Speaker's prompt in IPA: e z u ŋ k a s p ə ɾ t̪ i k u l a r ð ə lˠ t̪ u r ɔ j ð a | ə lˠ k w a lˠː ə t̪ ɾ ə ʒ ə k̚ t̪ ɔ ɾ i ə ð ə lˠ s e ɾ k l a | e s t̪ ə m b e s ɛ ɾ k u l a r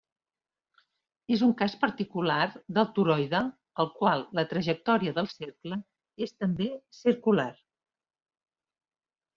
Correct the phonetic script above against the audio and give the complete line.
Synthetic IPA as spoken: e z u ŋ k a s p ə ɾ t̪ i k u l a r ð ə lˠ t̪ u ɾ ɔ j ð ə | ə lˠ k w a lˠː ə t̪ ɾ ə ʒ ə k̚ t̪ ɔ ɾ i ə ð ə lˠ s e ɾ k l ə | e s t̪ ə m b e s i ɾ k u l a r

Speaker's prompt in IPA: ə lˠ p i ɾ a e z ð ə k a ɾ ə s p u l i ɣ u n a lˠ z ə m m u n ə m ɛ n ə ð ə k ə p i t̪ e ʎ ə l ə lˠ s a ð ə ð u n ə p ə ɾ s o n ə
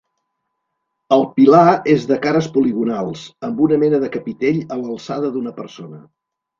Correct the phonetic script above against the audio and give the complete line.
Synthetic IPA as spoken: ə lˠ p i l a e z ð ə k a ɾ ə s p u l i ɣ u n a lˠ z ə m b u n ə m ɛ n ə ð ə k ə p i t̪ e ʎ ə l ə lˠ s a ð ə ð u n ə p ə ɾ s o n ə

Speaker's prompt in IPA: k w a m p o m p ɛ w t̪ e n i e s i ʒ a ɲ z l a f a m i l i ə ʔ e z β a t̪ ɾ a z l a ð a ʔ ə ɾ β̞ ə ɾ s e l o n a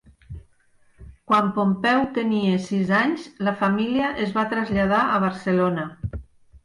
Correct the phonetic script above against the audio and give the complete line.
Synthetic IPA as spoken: k w a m p o m p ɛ w t̪ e n i e s i z a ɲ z l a f a m i l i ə ʔ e z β a t̪ ɾ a z ʎ a ð a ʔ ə β̞ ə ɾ s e l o n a

